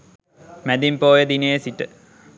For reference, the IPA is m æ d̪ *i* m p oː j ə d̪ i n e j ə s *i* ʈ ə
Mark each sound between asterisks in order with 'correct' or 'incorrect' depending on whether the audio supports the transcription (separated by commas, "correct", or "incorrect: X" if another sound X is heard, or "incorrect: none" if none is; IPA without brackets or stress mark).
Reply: correct, correct